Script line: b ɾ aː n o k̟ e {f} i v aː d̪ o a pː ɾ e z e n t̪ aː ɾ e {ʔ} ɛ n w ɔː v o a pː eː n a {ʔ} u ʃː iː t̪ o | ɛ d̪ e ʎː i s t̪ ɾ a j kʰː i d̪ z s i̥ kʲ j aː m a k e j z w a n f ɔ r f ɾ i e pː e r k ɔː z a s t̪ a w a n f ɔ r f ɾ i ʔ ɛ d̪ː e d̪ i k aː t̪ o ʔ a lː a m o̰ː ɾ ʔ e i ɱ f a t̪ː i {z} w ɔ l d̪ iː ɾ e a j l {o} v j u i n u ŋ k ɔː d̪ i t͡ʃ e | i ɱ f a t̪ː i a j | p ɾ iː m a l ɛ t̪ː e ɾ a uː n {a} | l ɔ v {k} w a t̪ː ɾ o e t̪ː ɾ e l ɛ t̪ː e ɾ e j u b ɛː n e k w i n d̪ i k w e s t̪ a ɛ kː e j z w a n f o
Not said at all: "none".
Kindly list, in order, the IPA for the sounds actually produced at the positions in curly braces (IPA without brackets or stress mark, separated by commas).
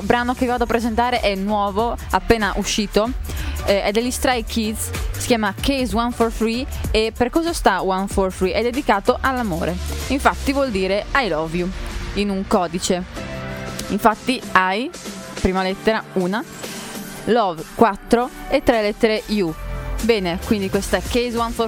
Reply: v, ʔ, ʔ, v, ɔ, a, k